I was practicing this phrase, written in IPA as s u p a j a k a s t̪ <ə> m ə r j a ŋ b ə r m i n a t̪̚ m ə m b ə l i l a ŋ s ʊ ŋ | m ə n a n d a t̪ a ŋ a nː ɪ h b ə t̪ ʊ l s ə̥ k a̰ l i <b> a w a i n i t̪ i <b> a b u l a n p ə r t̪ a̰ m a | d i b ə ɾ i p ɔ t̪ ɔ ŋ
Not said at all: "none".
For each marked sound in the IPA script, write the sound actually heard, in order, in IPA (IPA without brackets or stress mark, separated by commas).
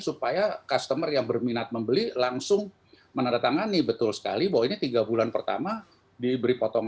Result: ə, b, ɡ